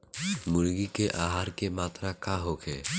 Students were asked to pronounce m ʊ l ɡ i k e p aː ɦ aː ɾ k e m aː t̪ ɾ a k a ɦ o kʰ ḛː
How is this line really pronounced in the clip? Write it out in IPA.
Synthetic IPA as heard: m ʊ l ɡ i k e ʔ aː ɦ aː ɾ k e m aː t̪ ɾ a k a ɦ o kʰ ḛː